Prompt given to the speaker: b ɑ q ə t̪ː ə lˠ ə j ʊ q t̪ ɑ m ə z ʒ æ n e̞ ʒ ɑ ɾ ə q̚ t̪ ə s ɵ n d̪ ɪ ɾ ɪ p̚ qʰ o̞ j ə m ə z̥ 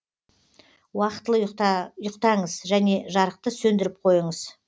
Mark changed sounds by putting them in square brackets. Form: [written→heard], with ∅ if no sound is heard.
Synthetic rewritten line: [b→w] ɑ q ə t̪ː ə lˠ ə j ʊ q t̪ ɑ [m→ɴ] ə z ʒ æ n e̞ ʒ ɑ ɾ ə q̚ t̪ ə s ɵ n d̪ ɪ ɾ ɪ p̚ qʰ o̞ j ə [m→ɴ] ə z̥